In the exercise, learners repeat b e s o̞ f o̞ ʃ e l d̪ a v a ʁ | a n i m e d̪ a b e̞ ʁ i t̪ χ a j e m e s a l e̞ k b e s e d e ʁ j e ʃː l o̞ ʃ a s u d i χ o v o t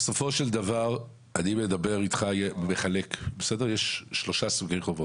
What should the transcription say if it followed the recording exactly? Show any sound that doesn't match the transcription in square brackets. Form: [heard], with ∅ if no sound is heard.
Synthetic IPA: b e s o̞ f o̞ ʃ e l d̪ a v a ʁ | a n i m e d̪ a b e̞ ʁ i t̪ χ a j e m e [χ] a l e̞ k b e s e d e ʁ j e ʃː l o̞ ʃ a s u [ɡ] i χ o v o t